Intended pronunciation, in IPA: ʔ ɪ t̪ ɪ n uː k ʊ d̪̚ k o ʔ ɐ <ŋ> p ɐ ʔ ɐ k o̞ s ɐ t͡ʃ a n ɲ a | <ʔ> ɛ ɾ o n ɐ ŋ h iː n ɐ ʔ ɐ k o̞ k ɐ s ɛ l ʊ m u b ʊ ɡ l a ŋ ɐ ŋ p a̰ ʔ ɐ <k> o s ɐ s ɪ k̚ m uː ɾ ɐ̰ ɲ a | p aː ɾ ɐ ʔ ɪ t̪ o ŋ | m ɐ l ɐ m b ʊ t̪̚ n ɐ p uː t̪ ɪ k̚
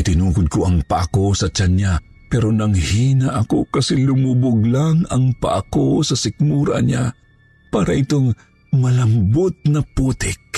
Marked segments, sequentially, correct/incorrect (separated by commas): correct, incorrect, correct